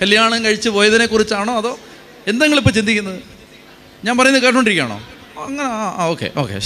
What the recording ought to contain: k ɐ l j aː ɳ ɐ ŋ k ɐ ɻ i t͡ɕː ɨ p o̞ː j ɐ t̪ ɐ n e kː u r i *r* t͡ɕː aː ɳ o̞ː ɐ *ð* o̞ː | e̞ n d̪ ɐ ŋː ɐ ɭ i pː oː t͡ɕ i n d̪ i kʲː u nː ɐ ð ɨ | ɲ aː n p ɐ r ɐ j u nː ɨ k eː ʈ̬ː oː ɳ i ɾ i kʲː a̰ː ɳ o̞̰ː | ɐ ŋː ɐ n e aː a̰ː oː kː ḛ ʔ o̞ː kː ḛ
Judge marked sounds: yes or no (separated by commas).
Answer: no, yes